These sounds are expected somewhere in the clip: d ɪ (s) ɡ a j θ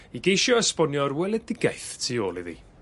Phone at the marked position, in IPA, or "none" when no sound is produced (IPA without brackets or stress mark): none